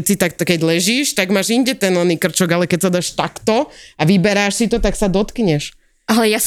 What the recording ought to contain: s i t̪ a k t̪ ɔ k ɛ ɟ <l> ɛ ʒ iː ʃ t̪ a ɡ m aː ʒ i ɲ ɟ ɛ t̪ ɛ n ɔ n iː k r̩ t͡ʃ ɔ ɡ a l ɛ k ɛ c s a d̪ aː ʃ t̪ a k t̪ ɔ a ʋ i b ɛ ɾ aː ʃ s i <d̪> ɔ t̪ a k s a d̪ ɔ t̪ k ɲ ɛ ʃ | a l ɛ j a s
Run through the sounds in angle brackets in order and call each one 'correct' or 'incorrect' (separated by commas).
correct, incorrect